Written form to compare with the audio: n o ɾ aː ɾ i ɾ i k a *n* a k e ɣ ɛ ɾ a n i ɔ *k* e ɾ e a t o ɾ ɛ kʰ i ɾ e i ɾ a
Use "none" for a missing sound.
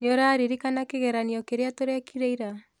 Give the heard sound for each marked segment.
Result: n, k

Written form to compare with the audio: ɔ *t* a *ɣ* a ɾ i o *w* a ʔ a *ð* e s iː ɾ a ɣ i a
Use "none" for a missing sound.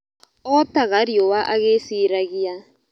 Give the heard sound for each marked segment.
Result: t, ɣ, w, ɣ

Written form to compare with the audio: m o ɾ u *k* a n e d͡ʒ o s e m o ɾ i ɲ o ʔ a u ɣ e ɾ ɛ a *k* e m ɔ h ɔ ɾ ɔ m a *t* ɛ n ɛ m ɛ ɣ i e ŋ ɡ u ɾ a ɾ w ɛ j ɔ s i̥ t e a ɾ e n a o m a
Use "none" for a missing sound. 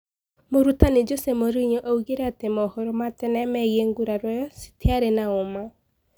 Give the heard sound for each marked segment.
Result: t, t, t

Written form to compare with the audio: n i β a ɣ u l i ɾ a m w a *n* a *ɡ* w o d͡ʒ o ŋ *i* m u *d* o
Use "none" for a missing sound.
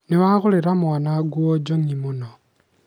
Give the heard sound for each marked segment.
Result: n, ɡ, i, n

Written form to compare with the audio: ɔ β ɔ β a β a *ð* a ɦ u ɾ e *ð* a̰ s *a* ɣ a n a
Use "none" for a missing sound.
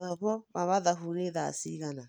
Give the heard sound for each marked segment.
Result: ð, ð, i

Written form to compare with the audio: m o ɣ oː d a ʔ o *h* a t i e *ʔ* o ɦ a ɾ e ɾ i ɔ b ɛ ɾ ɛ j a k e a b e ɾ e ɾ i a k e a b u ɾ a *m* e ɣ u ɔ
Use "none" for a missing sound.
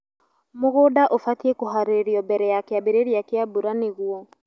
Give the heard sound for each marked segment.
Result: f, k, n

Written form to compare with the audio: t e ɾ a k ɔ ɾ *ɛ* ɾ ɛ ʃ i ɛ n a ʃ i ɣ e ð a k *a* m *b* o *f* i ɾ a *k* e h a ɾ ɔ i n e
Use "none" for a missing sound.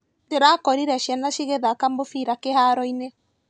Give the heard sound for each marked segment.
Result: i, a, b, f, k

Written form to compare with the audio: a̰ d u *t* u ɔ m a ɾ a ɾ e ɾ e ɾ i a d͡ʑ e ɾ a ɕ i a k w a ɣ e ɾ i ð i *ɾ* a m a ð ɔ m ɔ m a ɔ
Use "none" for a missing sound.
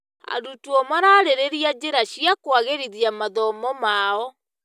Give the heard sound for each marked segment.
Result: t, none

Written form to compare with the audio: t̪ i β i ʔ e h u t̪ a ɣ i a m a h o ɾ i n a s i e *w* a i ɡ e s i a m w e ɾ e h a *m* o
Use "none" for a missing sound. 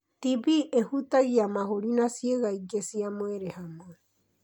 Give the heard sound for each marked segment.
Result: ɣ, m

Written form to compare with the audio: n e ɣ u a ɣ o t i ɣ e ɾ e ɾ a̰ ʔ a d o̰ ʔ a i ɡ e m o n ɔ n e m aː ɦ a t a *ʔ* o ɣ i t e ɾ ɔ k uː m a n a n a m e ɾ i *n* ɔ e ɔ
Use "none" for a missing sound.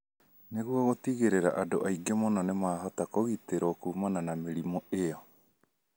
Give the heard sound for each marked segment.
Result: k, m

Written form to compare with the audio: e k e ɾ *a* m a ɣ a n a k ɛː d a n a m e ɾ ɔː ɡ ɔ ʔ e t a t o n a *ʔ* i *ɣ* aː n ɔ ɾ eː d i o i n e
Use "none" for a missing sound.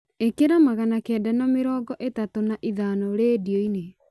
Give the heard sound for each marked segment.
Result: a, ʔ, ð

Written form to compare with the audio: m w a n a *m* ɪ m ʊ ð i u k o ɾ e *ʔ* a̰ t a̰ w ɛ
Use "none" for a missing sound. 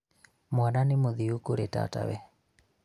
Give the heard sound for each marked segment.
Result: n, t

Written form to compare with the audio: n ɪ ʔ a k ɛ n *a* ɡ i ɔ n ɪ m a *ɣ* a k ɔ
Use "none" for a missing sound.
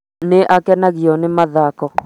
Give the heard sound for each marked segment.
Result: a, ð

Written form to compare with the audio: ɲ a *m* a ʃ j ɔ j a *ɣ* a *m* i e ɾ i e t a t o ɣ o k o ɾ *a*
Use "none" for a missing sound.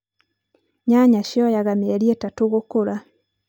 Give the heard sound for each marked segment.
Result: ɲ, ɣ, m, a

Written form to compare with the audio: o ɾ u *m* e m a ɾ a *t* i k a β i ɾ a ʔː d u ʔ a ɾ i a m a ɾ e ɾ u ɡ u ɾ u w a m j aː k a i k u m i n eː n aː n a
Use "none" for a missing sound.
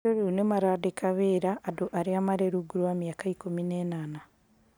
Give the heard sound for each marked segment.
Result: n, d

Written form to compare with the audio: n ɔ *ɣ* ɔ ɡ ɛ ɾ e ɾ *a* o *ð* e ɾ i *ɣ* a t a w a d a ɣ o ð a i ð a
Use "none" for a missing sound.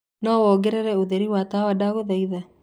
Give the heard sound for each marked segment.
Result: w, ɛ, ð, w

